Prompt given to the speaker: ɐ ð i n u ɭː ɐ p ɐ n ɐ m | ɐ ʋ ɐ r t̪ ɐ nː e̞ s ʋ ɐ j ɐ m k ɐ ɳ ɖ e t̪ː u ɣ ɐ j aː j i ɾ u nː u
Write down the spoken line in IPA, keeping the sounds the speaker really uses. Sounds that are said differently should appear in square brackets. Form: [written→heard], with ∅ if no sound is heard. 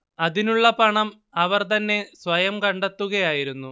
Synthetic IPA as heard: ɐ ð i n u ɭː ɐ p ɐ [n→ɳ] ɐ m | ɐ ʋ ɐ r t̪ ɐ nː e̞ s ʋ ɐ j ɐ m k ɐ ɳ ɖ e t̪ː u ɣ ɐ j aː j i ɾ u nː u